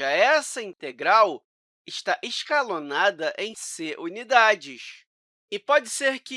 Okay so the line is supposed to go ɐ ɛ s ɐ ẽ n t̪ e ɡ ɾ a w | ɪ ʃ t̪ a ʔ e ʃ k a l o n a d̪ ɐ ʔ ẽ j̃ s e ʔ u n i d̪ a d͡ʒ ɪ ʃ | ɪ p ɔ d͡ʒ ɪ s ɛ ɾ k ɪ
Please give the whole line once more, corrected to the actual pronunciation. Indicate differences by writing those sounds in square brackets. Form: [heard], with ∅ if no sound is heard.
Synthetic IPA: ɐ ɛ s ɐ [ĩ] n t̪ e ɡ ɾ a w | ɪ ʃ t̪ a ʔ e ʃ k a l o n a d̪ ɐ ʔ ẽ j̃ s e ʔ u n i d̪ a d͡ʒ ɪ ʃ | ɪ p ɔ d͡ʒ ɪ s [e] ɾ k ɪ